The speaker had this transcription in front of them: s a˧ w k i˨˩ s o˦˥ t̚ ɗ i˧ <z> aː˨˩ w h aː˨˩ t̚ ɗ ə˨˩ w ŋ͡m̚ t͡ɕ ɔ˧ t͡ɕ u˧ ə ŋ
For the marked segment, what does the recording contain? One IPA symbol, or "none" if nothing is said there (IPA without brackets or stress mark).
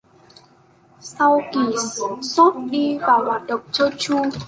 v